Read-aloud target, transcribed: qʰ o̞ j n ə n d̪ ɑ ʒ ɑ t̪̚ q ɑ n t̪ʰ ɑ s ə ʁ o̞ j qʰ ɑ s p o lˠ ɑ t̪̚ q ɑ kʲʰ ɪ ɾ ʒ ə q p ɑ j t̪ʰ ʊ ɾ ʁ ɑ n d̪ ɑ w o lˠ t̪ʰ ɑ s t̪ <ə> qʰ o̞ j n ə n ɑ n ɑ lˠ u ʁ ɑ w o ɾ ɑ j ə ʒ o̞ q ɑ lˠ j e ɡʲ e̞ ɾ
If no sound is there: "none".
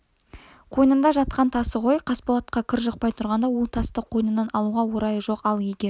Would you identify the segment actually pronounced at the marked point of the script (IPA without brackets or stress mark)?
ə